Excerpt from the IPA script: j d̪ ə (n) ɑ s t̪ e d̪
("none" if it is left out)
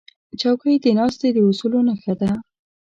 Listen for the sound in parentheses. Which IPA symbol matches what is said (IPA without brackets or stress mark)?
n